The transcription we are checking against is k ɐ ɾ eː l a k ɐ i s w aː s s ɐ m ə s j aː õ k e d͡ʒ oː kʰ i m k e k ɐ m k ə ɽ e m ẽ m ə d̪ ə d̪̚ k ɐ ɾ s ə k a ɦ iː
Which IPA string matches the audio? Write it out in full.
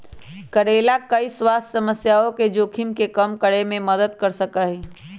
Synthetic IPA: k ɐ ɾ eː l a k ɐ i s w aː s s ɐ m ə s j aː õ k e d͡ʒ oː kʰ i m k e k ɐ m k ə ɽ e m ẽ m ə d̪ ə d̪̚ k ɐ ɾ s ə k a ɦ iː

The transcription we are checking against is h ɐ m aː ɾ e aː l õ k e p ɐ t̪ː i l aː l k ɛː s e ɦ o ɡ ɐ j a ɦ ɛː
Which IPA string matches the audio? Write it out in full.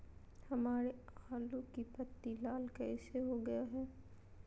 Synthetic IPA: h ɐ m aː ɾ e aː l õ k i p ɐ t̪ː i l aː l k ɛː s e ɦ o ɡ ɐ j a ɦ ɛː

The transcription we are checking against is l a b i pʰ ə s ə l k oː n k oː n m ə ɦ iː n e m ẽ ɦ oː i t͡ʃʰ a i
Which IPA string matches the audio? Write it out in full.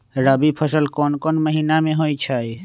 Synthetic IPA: ɾ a b i pʰ ə s ə l k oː n k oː n m ə ɦ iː n a m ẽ ɦ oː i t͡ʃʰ a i

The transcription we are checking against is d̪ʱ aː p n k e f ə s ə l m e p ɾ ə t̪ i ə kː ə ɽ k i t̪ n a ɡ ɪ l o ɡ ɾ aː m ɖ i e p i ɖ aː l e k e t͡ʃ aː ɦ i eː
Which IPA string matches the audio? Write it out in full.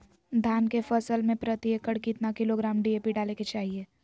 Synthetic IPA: d̪ʱ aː n k e f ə s ə l m ẽ p ɾ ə t̪ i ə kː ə ɽ k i t̪ n a k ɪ l o ɡ ɾ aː m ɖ i e p i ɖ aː l e k e t͡ʃ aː ɦ i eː

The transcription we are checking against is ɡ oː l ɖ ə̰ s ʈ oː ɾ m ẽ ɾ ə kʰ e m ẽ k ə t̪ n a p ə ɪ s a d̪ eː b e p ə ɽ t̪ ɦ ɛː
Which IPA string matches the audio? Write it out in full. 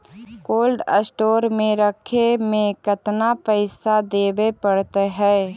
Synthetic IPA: k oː l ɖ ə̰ s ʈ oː ɾ m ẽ ɾ ə kʰ e m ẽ k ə t̪ n a p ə ɪ s a d̪ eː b e p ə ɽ t̪ ɦ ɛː

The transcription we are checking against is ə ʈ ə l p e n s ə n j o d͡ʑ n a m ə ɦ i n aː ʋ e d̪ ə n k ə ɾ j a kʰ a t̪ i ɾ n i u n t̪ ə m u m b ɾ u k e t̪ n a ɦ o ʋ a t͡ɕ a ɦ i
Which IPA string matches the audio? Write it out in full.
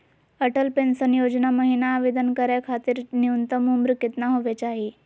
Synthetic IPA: ə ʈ ə l p e n s ə n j o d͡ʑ n a m ə ɦ i n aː ʋ e d̪ ə n k ə ɾ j a kʰ a t̪ iː ɾ n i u n t̪ ə m u m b ɾ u k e t̪ n a ɦ o ʋ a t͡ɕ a ɦ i

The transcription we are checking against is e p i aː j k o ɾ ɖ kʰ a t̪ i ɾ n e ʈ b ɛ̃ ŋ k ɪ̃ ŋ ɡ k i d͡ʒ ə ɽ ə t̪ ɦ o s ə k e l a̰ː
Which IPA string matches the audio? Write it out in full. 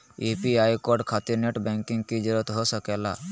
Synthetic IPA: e p i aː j k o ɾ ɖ kʰ a t̪ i ɾ n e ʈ b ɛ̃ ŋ k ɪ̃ ŋ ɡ k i d͡ʒ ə ɾ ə t̪ ɦ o s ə k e l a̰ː

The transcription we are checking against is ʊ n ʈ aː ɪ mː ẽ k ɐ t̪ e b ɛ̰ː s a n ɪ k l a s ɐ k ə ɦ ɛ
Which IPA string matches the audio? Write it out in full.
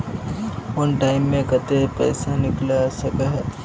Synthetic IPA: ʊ n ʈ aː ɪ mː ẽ k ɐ t̪ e p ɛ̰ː s a n ɪ k l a s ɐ k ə ɦ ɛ

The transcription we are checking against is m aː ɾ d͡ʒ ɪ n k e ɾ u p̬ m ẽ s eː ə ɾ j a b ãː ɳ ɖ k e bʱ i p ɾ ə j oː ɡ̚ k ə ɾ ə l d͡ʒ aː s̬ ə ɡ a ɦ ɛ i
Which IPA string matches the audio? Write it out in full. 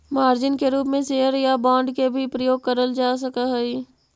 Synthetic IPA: m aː ɾ d͡ʒ ɪ n k e ɾ uː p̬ m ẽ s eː ə ɾ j a b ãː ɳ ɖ k e bʱ i p ɾ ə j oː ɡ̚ k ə ɾ ə l d͡ʒ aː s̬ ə k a ɦ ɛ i

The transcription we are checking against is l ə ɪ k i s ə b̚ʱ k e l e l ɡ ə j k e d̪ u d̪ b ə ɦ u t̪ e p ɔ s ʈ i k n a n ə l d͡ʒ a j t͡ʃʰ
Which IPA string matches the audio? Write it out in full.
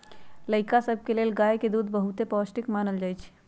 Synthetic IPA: l ə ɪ k a s ə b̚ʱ k e l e l ɡ a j k e d̪ u d̪ b ə ɦ u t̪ e p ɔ s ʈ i k m a n ə l d͡ʒ a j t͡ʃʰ

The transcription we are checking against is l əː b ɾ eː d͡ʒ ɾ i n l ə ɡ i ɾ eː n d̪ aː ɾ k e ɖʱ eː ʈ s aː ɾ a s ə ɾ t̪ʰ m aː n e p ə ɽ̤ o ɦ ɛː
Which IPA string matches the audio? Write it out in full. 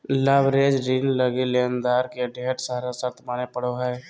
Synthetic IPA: l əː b ɾ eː d͡ʒ ɾ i n l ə ɡ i l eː n d̪ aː ɾ k e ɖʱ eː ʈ s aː ɾ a s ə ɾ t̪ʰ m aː n e p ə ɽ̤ o ɦ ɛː

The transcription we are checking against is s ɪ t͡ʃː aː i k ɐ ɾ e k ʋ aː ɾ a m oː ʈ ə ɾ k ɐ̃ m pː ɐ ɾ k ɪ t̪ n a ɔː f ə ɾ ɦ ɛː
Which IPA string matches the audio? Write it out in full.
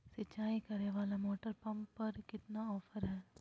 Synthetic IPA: s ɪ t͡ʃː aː i k ɐ ɾ e ʋ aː l a m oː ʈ ə ɾ p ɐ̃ m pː ɐ ɾ k ɪ t̪ n a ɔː f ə ɾ ɦ ɛː

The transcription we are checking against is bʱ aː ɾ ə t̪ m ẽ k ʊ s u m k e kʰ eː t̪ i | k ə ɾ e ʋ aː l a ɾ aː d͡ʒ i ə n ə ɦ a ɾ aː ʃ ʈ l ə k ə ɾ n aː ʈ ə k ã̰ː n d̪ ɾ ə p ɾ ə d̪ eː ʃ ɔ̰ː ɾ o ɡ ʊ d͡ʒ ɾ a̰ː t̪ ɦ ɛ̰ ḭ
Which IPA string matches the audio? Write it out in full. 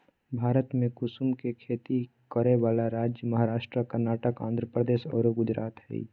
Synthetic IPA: bʱ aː ɾ ə t̪ m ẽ k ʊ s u m k e kʰ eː t̪ i | k ə ɾ e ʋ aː l a ɾ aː d͡ʒ j ə m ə ɦ a ɾ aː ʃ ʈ ɾ ə k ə ɾ n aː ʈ ə k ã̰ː n d̪ ɾ ə p ɾ ə d̪ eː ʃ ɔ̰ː ɾ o ɡ ʊ d͡ʒ ɾ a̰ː t̪ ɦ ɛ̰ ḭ

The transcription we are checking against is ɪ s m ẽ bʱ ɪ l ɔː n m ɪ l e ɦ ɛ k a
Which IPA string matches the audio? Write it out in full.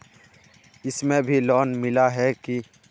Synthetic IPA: ɪ s m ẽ bʱ i l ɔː n m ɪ l a ɦ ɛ k i

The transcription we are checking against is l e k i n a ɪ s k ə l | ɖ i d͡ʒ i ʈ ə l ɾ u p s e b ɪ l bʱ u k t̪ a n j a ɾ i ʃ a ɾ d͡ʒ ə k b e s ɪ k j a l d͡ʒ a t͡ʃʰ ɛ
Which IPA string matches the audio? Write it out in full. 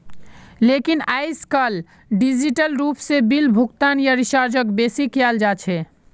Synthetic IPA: l e k i n a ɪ s k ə l | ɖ i d͡ʒ i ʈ ə l ɾ u p s e b i l bʱ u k t̪ a n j a ɾ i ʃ a ɾ d͡ʒ ə k b e s i k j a l d͡ʒ a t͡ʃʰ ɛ

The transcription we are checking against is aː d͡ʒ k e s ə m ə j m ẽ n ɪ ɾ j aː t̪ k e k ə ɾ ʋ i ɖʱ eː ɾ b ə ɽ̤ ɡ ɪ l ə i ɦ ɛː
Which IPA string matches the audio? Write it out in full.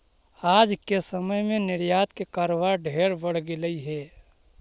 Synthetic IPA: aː d͡ʒ k e s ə m ə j m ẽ n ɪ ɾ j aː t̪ k e k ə ɾ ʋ a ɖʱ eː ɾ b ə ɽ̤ ɡ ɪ l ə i ɦ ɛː

